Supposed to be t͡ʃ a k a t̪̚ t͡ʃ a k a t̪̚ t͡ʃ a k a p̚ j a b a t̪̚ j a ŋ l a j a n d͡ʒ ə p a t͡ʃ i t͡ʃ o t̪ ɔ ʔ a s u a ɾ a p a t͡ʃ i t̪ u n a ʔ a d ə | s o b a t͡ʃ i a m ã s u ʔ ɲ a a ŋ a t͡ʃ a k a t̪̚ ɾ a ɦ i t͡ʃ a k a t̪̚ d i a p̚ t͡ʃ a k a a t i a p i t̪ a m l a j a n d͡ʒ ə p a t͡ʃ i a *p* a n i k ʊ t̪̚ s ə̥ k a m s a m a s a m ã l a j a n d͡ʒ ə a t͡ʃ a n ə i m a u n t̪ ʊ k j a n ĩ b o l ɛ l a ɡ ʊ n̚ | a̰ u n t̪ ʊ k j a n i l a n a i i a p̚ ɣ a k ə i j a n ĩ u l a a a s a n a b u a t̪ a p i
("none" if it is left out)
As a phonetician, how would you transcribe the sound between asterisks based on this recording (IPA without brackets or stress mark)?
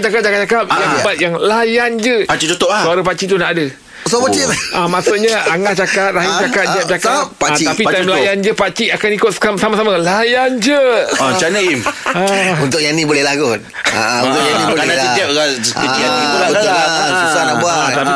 k